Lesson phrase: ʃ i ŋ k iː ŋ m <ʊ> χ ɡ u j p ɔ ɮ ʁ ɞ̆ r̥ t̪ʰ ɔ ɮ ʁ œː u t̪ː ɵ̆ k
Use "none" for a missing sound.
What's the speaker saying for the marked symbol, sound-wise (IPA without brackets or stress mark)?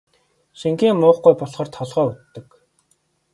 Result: ʊː